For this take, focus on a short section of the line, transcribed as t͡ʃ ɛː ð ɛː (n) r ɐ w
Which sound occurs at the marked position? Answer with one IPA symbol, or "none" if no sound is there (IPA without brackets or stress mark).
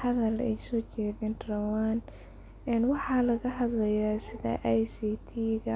n